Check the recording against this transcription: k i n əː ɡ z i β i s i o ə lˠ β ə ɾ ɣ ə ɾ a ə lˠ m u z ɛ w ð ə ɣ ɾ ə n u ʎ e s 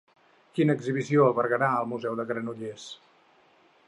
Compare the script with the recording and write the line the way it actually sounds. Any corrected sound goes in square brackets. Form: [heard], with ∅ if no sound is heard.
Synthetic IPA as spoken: k i n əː ɡ z i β i s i o ə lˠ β ə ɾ ɣ ə ɾ a ə lˠ m u z ɛ w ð ə ɣ ɾ ə n u ʎ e s

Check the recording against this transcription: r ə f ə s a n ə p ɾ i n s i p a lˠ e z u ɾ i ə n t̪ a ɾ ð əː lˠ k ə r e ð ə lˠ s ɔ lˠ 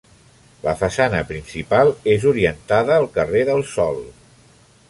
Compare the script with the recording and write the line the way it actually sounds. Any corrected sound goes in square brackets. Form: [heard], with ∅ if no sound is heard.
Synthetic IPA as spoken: [l] ə f ə s a n ə p ɾ i n s i p a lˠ e z u ɾ i ə n t̪ a [∅] ð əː lˠ k ə r e ð ə lˠ s ɔ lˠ

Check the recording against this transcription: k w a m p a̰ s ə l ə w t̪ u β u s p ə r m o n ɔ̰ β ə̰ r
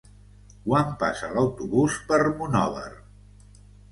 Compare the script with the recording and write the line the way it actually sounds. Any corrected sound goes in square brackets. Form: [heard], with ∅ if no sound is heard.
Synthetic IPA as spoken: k w a m p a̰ s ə l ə w t̪ u β u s p ə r m [u] n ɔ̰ β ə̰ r

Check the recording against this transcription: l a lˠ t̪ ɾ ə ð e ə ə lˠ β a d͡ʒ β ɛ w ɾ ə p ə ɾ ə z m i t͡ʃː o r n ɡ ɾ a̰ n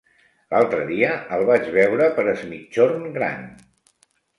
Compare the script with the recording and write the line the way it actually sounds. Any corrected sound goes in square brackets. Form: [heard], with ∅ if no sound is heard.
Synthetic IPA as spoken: l a lˠ t̪ ɾ ə ð [i] ə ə lˠ β a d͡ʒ β ɛ w ɾ ə p ə ɾ ə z m i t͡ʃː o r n ɡ ɾ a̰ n

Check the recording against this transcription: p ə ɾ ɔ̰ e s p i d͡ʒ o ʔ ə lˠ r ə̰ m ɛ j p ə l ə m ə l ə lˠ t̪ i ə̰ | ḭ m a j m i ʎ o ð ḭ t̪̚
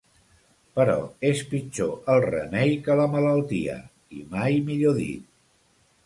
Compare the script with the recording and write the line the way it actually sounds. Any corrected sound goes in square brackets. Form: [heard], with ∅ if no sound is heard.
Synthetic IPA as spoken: p ə ɾ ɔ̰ e s p i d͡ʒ o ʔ ə lˠ r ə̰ m ɛ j [k] ə l ə m ə l ə lˠ t̪ i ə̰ | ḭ m a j m i ʎ o ð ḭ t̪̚

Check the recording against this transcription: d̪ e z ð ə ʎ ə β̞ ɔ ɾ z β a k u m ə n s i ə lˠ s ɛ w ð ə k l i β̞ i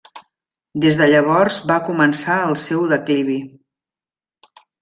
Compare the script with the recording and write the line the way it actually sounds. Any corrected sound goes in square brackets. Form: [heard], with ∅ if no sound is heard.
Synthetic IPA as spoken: d̪ e z ð ə ʎ ə β̞ ɔ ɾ z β a k u m ə n s [a] ə lˠ s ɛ w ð ə k l i β̞ i

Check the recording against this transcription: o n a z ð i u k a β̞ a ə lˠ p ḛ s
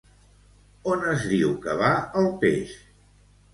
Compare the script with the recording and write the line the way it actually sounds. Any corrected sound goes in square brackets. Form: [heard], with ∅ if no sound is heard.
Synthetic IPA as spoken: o n [ə] z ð i [w] k [ə] β̞ a ə lˠ p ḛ [ʃ]

